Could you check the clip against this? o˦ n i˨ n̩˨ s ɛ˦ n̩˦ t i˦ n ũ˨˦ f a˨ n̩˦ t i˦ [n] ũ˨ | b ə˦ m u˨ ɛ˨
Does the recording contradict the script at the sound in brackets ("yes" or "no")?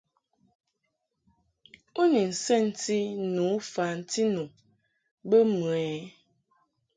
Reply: no